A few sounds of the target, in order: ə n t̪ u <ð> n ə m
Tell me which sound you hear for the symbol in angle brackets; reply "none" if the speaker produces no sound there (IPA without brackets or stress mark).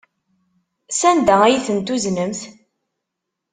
z